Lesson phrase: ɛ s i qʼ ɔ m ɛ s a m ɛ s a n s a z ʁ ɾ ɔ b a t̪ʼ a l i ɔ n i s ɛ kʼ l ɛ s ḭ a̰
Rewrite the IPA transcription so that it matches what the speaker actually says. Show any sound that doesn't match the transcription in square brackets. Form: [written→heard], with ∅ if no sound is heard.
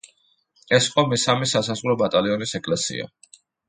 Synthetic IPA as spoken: ɛ s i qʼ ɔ m ɛ s a m ɛ s a [n→∅] s a z ʁ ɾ ɔ b a t̪ʼ a l i ɔ n i s ɛ kʼ l ɛ s ḭ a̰